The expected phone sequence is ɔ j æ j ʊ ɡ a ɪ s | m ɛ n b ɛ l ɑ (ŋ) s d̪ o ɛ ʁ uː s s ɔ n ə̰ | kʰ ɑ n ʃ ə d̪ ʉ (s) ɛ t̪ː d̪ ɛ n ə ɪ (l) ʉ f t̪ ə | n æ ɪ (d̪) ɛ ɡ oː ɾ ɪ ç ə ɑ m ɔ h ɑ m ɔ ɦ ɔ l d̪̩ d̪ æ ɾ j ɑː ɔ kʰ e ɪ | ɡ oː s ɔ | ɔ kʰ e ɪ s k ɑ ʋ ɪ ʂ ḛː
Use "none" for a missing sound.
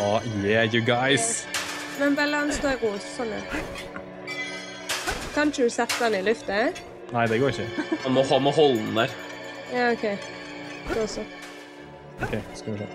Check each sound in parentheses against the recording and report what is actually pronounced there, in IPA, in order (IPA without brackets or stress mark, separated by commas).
n, s, l, d̪